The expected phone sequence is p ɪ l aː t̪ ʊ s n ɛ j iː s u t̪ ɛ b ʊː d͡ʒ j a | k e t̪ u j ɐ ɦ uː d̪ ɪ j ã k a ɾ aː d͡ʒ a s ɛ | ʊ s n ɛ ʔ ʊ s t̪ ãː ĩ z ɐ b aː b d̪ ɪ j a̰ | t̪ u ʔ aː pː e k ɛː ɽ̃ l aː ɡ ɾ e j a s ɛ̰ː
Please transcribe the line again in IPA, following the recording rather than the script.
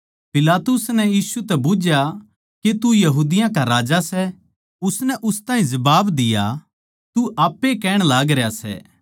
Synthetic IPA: p ɪ l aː t̪ ʊ s n ɛ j iː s u t̪ ɛ b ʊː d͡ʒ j a | k e t̪ u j ɐ ɦ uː d̪ ɪ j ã k a ɾ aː d͡ʒ a s ɛ | ʊ s n ɛ ʔ ʊ s t̪ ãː ĩ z ɐ b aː b d̪ ɪ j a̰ | t̪ u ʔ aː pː e k ɛː ɽ̃ l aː ɡ ɾ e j a s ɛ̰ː